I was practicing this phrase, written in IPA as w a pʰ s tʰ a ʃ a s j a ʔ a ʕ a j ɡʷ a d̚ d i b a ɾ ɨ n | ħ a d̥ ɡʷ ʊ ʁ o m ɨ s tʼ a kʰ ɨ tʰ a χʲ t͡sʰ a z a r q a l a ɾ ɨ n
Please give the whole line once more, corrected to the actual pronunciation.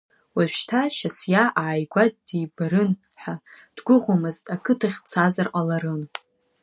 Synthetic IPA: w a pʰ ʃ tʰ a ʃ a s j a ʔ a ʕ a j ɡʷ a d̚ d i b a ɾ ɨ n | ħ a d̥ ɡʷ ʊ ʁ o m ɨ z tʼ a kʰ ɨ tʰ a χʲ t͡sʰ a z a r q a l a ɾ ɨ n